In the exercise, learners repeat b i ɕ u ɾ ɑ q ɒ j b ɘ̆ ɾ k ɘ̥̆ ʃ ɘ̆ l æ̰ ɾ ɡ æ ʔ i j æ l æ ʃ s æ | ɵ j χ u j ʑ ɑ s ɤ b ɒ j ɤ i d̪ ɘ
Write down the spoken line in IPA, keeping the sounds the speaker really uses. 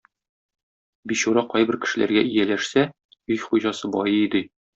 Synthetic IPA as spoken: b i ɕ u ɾ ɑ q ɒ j b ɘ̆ ɾ k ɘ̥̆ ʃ ɘ̆ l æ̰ ɾ ɡ æ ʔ i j æ l æ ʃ s æ | ɵ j χ u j ʑ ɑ s ɤ b ɒ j ɤ i d̪ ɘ